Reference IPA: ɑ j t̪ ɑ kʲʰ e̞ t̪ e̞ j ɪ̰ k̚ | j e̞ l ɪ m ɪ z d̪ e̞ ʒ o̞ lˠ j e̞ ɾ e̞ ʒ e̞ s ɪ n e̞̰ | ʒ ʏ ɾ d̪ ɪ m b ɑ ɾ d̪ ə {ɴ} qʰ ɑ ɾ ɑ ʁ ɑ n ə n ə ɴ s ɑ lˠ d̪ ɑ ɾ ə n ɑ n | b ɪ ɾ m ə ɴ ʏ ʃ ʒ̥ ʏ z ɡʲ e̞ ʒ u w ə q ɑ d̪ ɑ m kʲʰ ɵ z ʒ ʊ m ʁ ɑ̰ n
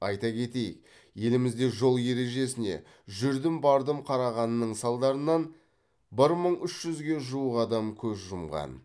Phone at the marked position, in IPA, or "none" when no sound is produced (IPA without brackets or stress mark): m